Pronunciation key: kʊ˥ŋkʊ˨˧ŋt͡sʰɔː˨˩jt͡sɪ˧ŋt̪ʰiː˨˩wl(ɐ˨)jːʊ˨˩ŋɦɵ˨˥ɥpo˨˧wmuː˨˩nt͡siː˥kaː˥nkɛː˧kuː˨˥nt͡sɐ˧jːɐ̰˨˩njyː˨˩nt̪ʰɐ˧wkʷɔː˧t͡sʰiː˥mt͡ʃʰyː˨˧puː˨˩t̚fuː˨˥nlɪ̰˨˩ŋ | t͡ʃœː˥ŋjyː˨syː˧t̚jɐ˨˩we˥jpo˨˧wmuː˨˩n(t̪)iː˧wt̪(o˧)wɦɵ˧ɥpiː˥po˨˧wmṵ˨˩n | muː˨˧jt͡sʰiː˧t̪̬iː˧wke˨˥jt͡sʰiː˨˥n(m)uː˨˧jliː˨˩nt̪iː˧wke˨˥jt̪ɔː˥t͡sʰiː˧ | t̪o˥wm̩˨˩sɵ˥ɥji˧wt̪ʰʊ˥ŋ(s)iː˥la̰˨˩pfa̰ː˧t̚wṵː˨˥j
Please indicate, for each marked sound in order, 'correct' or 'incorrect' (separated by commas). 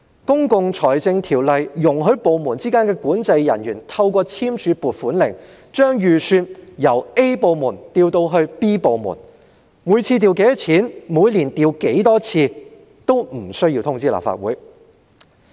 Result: correct, correct, correct, correct, incorrect